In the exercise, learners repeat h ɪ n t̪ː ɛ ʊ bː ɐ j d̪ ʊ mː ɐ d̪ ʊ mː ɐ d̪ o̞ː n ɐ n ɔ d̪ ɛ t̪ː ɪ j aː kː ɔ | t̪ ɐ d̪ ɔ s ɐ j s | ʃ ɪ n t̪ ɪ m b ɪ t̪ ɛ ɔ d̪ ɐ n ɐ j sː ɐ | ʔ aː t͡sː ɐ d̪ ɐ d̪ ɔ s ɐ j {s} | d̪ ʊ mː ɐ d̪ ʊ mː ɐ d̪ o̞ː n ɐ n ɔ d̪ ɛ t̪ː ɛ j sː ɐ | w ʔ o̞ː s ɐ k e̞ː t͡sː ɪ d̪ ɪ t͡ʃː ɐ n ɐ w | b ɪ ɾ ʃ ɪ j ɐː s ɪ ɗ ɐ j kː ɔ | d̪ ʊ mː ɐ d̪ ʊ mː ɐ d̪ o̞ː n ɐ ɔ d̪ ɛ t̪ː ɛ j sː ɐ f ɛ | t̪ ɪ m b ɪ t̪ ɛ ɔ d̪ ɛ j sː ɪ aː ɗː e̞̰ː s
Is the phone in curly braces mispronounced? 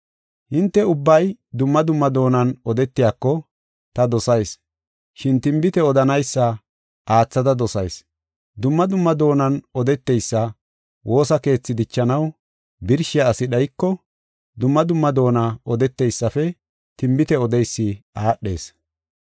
no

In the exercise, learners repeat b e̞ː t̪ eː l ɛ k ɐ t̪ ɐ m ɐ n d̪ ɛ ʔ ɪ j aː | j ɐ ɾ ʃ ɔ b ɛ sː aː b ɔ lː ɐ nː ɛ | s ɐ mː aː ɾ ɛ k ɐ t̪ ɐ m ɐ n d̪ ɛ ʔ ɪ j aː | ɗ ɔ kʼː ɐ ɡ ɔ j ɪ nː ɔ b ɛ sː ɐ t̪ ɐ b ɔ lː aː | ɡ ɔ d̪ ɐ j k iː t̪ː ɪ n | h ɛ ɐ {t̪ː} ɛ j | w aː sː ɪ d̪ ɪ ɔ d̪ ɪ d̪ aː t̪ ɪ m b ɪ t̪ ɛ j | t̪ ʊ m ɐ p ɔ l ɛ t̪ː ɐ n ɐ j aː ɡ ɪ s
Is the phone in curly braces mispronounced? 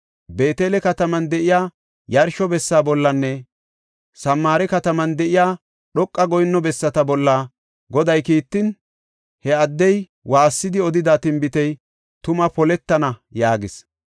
yes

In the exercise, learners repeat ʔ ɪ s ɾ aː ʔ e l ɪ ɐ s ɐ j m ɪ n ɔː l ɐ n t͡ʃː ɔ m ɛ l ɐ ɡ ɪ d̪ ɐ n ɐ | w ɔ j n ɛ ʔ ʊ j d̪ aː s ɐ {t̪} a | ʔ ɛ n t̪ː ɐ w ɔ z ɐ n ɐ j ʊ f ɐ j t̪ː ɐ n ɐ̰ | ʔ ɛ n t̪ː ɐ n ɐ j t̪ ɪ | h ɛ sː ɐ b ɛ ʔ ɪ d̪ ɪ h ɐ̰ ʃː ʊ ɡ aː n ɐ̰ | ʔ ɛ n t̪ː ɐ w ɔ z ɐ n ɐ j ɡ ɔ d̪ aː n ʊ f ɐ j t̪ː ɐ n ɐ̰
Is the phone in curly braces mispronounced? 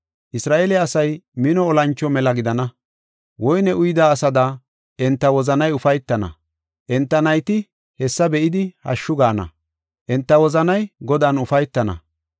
yes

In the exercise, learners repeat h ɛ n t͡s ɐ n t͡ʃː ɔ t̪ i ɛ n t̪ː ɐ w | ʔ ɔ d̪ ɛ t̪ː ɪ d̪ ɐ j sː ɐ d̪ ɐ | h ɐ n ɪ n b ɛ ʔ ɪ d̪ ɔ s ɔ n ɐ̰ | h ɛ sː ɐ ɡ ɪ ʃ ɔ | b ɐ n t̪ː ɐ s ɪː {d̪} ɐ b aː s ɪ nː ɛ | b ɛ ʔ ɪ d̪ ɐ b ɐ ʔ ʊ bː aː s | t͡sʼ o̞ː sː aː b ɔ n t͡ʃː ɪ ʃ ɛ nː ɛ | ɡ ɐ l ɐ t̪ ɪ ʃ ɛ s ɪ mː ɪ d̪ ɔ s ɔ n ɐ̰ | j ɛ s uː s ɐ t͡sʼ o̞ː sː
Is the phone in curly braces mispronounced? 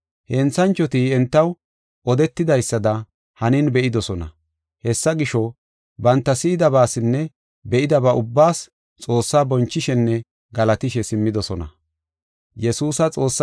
no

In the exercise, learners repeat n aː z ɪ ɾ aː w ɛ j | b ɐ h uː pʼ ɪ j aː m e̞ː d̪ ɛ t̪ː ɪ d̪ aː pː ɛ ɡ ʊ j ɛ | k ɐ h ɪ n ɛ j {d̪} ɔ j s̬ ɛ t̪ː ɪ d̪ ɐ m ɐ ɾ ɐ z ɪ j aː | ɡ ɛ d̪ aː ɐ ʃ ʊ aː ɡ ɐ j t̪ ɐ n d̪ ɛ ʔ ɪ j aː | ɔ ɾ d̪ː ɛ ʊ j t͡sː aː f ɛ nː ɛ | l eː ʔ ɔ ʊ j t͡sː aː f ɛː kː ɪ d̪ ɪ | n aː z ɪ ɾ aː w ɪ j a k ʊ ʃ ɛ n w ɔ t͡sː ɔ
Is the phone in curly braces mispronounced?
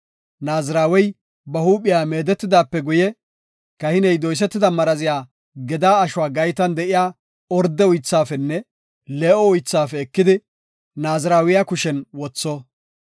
no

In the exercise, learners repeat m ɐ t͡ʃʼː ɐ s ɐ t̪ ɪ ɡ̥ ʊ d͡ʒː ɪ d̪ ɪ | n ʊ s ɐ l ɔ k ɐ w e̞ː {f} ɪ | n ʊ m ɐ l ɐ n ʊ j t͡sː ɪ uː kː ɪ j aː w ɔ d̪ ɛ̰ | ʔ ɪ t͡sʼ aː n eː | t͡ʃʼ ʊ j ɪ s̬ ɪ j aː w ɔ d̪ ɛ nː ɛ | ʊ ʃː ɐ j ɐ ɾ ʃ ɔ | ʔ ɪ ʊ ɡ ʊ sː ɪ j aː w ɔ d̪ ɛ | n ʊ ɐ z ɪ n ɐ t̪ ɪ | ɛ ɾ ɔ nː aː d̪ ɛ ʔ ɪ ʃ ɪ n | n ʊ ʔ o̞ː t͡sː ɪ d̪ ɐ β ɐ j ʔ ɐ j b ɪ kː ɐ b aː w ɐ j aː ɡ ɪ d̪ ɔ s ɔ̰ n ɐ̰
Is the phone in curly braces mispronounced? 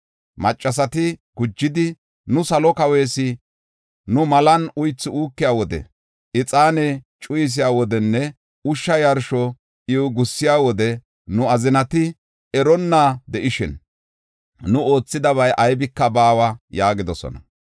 yes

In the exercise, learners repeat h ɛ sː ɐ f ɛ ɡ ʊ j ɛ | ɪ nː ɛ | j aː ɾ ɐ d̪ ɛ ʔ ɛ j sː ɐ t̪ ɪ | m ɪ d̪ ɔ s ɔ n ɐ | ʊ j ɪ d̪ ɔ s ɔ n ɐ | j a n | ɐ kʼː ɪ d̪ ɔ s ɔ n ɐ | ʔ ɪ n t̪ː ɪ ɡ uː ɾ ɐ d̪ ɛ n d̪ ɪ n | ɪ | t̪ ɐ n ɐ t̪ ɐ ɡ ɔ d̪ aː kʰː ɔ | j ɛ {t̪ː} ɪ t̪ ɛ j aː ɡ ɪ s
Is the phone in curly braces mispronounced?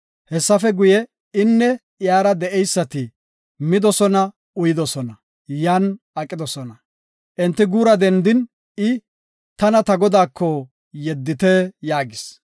yes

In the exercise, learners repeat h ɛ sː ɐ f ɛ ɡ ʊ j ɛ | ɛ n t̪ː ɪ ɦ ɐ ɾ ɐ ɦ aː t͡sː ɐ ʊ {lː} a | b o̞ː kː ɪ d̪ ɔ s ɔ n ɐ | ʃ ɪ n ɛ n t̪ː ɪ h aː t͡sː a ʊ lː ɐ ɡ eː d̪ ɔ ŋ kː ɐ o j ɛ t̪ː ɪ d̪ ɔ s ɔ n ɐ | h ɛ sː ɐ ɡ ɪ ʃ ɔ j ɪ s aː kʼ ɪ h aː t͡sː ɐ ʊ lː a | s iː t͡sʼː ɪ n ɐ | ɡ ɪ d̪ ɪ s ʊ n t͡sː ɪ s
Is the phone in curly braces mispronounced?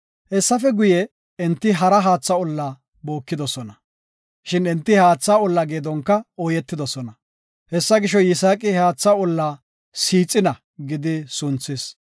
no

